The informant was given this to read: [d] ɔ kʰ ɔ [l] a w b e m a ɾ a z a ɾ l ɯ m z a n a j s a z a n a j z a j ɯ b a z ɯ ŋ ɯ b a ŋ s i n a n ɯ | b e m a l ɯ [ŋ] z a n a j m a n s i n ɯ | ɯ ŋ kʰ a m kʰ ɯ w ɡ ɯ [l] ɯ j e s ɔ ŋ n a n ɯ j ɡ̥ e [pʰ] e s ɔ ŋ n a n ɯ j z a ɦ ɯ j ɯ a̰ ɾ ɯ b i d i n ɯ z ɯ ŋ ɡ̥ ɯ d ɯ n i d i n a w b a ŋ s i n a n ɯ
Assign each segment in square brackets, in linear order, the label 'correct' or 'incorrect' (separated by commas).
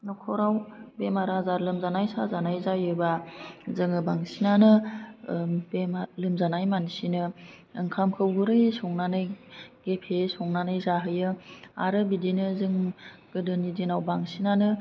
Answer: incorrect, incorrect, incorrect, incorrect, correct